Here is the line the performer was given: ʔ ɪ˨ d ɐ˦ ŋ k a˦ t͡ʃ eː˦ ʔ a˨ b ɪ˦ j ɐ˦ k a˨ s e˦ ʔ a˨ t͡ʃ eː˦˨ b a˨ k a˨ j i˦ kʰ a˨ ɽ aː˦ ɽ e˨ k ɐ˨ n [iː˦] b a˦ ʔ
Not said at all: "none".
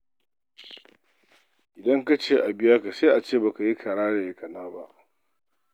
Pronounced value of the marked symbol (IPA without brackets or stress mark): aː˦